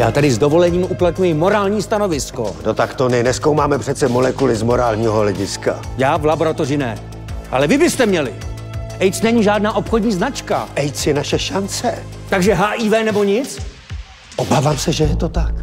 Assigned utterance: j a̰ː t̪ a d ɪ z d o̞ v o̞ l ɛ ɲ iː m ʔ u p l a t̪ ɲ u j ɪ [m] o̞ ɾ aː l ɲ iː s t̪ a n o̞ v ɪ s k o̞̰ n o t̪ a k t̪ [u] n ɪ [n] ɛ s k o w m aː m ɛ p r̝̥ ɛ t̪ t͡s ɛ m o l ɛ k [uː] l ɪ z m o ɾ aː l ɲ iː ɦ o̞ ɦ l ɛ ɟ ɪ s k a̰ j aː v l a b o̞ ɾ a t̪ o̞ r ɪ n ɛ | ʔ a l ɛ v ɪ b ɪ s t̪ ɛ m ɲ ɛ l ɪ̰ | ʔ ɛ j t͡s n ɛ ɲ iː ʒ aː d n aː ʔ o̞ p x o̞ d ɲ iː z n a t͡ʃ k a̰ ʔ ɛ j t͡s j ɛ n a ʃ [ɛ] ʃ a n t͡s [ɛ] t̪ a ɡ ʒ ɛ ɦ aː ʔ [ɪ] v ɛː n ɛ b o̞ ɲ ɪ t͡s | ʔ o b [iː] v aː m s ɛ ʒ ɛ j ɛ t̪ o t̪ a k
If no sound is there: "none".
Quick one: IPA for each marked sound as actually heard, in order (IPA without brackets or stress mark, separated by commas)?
m, o, n, u, ɛ, ɛ, i, aː